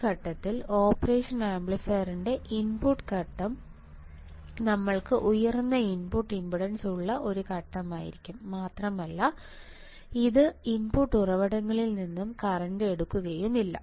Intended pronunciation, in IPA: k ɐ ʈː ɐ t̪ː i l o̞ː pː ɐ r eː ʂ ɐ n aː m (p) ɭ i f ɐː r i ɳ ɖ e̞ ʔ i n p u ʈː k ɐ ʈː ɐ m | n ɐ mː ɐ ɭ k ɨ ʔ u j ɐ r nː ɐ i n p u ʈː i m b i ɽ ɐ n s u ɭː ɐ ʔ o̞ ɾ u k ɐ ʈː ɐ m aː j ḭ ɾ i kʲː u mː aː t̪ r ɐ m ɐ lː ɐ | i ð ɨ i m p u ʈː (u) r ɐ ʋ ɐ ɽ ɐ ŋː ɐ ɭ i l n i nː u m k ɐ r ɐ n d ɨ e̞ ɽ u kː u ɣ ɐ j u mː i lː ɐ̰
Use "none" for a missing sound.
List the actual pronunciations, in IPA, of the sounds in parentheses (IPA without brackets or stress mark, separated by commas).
b, u